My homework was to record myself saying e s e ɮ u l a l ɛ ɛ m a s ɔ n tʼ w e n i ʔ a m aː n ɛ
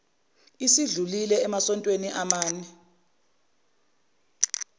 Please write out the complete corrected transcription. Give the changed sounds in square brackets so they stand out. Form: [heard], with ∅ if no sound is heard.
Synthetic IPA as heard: [i] s [i] ɮ u l [i] l ɛ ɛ m a s ɔ n tʼ w e n i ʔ a m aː n ɛ